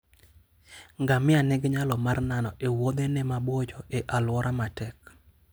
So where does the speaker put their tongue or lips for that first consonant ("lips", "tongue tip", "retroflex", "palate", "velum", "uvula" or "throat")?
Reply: velum